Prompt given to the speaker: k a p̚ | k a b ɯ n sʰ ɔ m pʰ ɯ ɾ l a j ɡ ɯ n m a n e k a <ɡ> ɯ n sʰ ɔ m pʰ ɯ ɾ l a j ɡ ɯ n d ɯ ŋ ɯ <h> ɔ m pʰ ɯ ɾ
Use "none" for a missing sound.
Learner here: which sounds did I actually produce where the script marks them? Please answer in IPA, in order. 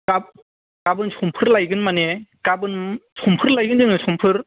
b, s

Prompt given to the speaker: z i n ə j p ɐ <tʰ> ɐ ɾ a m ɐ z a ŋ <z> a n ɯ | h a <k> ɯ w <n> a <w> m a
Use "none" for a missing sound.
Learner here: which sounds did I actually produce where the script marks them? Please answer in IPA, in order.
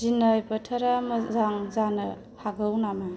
tʰ, z, ɡ, n, none

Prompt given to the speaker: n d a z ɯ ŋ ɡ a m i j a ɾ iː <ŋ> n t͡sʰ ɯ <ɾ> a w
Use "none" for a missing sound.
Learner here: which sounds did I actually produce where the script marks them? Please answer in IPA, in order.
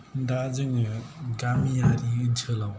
none, l

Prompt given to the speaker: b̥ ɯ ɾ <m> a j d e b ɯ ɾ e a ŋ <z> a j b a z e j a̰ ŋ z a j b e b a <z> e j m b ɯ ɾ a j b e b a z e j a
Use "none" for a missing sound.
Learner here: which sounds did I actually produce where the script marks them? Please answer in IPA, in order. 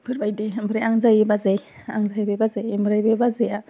b, z, z

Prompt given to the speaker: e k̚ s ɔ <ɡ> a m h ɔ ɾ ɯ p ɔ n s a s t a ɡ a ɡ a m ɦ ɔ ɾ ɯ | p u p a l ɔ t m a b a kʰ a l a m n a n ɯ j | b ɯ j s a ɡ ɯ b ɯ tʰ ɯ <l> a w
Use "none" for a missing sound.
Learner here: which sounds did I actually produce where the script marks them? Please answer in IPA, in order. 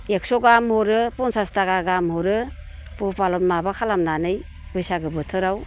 ɡ, ɾ

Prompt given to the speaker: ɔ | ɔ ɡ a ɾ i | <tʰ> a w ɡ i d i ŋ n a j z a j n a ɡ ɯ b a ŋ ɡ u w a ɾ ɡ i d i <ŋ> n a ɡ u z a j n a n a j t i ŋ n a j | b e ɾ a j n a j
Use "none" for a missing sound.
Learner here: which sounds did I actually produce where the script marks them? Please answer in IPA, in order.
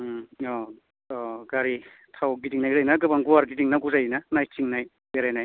tʰ, ŋ

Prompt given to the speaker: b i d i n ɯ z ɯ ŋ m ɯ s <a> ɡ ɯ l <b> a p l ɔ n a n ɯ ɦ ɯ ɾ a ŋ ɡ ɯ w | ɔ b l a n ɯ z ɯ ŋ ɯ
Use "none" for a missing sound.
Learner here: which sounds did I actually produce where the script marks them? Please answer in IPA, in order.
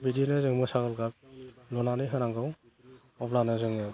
a, ɡ

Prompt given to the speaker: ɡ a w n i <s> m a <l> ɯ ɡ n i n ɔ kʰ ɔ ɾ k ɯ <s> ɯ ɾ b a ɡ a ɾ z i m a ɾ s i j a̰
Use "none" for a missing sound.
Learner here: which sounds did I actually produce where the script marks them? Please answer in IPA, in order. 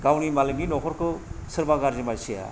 none, l, s

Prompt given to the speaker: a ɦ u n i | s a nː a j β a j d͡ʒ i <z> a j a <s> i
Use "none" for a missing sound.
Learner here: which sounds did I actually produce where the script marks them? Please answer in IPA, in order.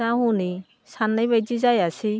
z, s

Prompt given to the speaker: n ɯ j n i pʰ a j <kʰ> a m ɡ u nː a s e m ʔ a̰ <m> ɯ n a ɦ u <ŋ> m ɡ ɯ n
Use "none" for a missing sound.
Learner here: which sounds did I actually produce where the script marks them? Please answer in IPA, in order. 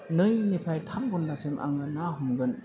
tʰ, ŋ, none

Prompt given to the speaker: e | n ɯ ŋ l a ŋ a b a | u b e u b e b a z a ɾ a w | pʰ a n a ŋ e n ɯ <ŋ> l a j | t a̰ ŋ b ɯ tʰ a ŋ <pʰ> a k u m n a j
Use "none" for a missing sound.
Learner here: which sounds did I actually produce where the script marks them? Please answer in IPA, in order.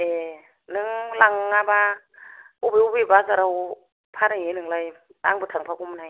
ŋ, pʰ

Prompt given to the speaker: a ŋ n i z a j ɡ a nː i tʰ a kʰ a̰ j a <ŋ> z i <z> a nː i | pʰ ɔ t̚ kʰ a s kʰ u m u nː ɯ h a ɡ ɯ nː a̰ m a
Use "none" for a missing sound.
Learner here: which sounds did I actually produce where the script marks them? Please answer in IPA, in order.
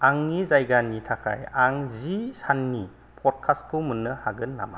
ŋ, s

